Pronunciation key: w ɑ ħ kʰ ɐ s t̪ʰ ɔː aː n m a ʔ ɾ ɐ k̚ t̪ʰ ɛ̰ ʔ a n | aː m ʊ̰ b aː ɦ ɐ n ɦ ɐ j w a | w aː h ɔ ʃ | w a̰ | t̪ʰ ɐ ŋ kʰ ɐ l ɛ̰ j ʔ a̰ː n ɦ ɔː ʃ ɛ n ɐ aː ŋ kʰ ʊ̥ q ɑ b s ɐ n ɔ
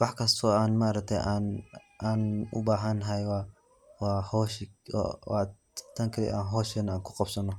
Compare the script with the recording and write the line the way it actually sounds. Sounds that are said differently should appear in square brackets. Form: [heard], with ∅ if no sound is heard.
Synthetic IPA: w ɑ ħ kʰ ɐ s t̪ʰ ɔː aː n m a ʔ ɾ ɐ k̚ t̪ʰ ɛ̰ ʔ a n | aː [n] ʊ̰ b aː ɦ ɐ n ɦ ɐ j w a | w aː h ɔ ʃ | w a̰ | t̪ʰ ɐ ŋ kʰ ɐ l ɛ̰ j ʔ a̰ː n ɦ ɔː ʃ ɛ n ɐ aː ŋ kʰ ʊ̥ q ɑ b s ɐ n ɔ